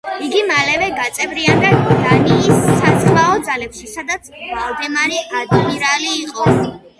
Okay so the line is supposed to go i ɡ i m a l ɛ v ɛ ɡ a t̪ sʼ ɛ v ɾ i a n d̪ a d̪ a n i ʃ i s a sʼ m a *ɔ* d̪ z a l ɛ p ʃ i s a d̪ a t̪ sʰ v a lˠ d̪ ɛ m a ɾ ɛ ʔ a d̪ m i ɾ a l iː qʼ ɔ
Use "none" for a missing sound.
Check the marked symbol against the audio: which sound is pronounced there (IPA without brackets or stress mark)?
ɔ